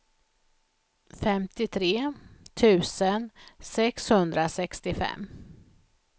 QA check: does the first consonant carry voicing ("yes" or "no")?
no